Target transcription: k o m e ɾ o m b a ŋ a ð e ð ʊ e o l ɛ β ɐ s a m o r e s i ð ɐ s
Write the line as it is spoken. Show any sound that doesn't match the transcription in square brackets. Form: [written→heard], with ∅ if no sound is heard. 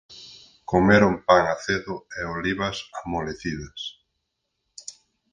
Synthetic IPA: k o m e ɾ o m [b→p] a ŋ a [ð→θ] e ð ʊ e o l [ɛ→i] β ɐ s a m o [r→l] e [s→θ] i ð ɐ s

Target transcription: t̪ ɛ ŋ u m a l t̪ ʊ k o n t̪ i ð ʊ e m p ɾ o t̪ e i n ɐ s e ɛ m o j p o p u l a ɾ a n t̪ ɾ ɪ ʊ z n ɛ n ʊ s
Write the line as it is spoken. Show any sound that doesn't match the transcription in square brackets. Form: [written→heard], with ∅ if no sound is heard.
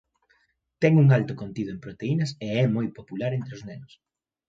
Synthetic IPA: t̪ ɛ ŋ u [m→ŋ] a l t̪ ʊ k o n t̪ i ð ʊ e m p ɾ o t̪ e i n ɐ s e ɛ m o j p o p u l a ɾ [a→e] n t̪ ɾ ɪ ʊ z n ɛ n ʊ s

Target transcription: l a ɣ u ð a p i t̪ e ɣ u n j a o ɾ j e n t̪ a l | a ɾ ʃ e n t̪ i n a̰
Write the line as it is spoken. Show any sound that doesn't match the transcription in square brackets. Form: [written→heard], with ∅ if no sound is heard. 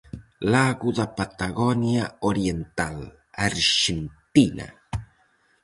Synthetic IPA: l a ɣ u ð a p [i→a] t̪ [e→a] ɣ [u→o] n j a o ɾ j e n t̪ a l | a ɾ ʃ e n t̪ i n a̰

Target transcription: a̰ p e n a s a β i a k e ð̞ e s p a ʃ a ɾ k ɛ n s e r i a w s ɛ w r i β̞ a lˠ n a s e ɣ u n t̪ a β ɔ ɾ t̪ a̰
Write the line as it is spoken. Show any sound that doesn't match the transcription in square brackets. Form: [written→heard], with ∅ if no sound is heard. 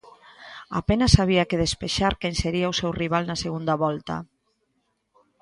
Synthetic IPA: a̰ p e n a s a β i a k e ð̞ e s p [a→e] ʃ a ɾ k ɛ n s e [r→ɾ] i a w s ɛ w r i β̞ a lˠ n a s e ɣ u n [t̪→d̪] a β ɔ [ɾ→l] t̪ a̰

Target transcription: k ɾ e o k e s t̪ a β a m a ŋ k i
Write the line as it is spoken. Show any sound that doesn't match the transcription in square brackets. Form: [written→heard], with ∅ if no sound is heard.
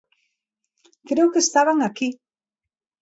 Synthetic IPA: k ɾ e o k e s t̪ a β a [m→ŋ] a [ŋ→∅] k i

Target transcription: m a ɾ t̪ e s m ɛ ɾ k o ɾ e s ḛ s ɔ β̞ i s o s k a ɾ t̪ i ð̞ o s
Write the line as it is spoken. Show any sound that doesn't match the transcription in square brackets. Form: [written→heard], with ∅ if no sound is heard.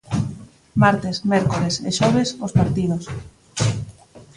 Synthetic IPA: m a ɾ t̪ e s m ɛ ɾ k o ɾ e s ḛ [s→ʃ] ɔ β̞ [i→e] s o s [k→p] a ɾ t̪ i ð̞ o s

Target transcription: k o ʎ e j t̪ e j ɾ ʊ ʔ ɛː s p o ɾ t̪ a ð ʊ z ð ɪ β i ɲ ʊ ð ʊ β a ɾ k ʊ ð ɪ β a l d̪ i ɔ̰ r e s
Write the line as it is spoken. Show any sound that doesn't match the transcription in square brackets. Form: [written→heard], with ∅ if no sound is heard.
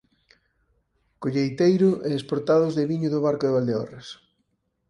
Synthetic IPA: k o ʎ e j t̪ e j ɾ ʊ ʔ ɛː s p o ɾ t̪ a ð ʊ z ð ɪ β i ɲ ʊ ð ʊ β a ɾ k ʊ ð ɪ β a l d̪ [i→e] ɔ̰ r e s

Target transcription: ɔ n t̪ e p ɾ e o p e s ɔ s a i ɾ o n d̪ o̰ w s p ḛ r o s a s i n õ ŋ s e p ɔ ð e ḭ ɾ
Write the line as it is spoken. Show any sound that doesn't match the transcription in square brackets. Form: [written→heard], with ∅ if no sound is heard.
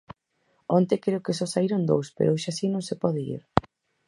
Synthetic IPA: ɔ n t̪ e [p→k] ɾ e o [p→k] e s ɔ s a i ɾ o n d̪ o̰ w s p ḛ [r→ɾ] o [s→ʃ] a s i n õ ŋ s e p ɔ ð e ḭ ɾ

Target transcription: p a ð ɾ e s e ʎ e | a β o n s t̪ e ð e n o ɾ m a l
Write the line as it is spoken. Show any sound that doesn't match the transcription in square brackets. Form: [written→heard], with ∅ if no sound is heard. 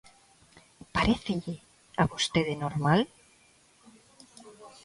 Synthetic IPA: p a [ð→∅] ɾ e [s→θ] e ʎ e | a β o [n→∅] s t̪ e ð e n o ɾ m a l

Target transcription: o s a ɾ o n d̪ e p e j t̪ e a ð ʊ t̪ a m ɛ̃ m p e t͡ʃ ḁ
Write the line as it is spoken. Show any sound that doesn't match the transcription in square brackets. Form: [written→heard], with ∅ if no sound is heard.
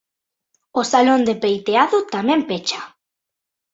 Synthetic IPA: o s a [ɾ→l] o n d̪ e p e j t̪ e a ð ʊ t̪ a m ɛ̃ m p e t͡ʃ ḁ

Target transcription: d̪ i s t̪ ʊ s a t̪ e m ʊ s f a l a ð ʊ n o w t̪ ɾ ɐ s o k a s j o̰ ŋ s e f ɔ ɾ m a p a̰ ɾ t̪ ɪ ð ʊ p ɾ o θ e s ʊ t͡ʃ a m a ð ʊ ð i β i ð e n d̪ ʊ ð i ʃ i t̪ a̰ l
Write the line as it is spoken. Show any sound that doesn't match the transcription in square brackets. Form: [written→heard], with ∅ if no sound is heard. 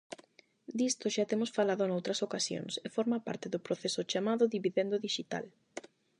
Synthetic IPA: d̪ i s t̪ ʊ [s→ʃ] a t̪ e m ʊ s f a l a ð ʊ n o w t̪ ɾ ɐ s o k a s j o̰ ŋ s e f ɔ ɾ m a p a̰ ɾ t̪ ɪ ð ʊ p ɾ o θ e s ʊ t͡ʃ a m a ð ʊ ð i β i ð e n d̪ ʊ ð i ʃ i t̪ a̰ l

